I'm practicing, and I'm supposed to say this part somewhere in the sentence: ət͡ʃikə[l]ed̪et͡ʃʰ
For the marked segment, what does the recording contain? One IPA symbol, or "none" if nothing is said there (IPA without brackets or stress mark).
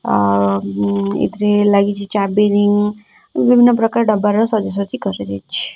ɾ